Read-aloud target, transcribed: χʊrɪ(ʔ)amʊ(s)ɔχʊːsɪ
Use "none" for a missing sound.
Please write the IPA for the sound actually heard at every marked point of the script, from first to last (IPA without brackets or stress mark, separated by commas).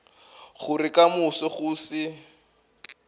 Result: k, s